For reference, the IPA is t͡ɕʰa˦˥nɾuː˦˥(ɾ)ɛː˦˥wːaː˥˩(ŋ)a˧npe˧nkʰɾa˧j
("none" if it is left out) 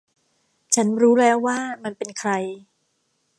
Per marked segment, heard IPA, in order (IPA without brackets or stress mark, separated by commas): l, m